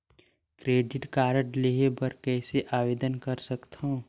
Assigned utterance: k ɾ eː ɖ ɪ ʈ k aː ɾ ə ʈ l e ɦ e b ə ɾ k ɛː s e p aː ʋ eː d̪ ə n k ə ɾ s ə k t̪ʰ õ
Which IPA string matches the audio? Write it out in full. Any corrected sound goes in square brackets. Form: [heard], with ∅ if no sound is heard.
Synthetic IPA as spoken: k ɾ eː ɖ ɪ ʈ k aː ɾ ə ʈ l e ɦ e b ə ɾ k ɛː s e [ʔ] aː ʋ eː d̪ ə n k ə ɾ s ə k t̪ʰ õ

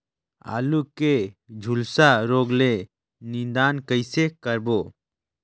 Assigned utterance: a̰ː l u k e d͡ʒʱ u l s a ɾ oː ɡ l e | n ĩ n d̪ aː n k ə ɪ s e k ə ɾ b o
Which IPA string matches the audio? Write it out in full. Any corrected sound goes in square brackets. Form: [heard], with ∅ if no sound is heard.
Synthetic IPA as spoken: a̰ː l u k e d͡ʒʱ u l s a ɾ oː ɡ l e | n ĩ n d̪ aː n k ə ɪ s e k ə ɾ b o

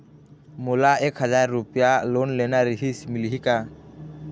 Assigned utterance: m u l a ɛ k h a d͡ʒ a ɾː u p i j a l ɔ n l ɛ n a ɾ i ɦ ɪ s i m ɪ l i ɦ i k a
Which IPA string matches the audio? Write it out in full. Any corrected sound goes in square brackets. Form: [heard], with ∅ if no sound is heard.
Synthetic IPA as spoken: m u l a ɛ k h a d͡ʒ a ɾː u p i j a l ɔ n l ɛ n a ɾ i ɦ [i] s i m [i] l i ɦ i k a

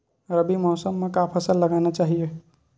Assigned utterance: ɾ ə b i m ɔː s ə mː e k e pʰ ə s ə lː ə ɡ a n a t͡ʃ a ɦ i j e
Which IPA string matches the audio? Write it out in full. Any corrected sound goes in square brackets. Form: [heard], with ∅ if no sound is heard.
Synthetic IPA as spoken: ɾ ə b i m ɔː s ə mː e k [a] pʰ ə s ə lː ə ɡ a n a t͡ʃ a ɦ i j e

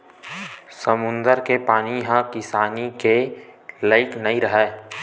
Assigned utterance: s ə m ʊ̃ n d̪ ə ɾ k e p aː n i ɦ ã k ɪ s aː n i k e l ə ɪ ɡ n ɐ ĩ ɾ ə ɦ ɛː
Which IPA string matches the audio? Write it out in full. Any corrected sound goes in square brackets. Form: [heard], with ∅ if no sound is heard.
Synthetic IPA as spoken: s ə m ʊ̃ n d̪ ə ɾ k e p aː n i ɦ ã k ɪ s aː n i k e l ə ɪ [k] n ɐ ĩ ɾ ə ɦ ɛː

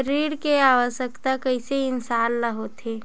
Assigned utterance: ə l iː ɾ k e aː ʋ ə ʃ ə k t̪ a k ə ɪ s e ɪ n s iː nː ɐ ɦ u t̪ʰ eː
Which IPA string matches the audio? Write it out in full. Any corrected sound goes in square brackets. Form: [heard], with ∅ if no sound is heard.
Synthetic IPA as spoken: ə [ɾ] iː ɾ k e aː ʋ ə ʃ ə k t̪ a k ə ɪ s e ɪ n s [aː] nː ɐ ɦ [o] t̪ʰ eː

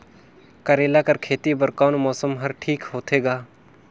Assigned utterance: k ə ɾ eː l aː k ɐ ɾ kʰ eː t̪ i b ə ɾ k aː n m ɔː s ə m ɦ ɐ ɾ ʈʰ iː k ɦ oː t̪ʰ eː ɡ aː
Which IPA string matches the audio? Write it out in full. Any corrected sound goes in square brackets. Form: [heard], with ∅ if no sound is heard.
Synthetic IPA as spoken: k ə ɾ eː l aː k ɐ ɾ kʰ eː t̪ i b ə ɾ k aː n m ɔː s ə m ɦ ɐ ɾ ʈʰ iː k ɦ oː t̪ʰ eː ɡ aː

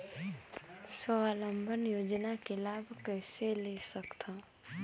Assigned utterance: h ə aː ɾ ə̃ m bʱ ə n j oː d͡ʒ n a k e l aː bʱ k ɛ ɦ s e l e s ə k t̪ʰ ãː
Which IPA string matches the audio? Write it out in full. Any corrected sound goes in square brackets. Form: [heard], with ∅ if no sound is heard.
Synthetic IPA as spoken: [s] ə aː [l] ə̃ m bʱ ə n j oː d͡ʒ n a k e l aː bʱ k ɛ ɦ s e l e s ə k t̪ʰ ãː

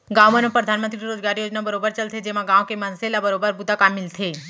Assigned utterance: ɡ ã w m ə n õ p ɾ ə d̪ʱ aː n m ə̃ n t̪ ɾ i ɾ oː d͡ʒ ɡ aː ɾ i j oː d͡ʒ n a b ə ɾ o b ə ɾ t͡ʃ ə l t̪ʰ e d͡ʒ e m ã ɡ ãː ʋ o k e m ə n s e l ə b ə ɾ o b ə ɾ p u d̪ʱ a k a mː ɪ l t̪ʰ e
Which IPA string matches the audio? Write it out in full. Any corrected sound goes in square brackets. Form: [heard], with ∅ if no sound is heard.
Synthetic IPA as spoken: ɡ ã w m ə n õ p ɾ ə d̪ʱ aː n m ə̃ n t̪ ɾ i ɾ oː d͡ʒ ɡ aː ɾ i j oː d͡ʒ n a b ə ɾ o b ə ɾ t͡ʃ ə l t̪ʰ e d͡ʒ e m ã ɡ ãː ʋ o k e m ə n s e l [a] b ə ɾ o b ə ɾ [b] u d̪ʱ a k a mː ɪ l t̪ʰ e

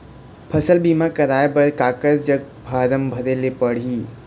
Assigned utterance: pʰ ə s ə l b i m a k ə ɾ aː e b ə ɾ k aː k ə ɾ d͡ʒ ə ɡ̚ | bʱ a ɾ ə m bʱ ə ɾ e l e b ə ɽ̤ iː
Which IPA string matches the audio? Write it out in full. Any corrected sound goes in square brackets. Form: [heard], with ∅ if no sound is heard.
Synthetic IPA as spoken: pʰ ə s ə l b i m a k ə ɾ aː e b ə ɾ k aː k ə ɾ d͡ʒ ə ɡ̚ | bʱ a ɾ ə m bʱ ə ɾ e l e [p] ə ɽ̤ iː

